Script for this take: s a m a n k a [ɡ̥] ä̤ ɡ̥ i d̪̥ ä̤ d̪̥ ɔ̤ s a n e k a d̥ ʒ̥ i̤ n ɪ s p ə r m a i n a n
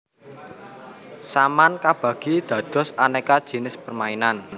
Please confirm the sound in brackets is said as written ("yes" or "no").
no